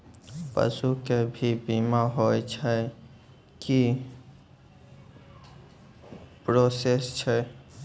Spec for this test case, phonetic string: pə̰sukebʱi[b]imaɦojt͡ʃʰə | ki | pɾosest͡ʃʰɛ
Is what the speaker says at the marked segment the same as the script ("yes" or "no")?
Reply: yes